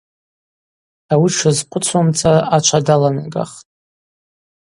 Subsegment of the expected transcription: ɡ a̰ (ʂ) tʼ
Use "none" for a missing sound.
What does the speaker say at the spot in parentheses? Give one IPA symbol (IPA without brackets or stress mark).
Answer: χ